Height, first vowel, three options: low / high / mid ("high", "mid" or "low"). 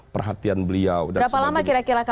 mid